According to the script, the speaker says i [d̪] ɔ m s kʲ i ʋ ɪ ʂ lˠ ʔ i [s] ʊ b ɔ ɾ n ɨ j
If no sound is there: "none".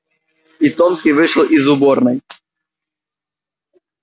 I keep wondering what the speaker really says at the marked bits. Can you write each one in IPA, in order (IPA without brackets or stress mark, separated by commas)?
t̪, z